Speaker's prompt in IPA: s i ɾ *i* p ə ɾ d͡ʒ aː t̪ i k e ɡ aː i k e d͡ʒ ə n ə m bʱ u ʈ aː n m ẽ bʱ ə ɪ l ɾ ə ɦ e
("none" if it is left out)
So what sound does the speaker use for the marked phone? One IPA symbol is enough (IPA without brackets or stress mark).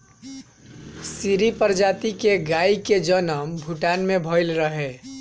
i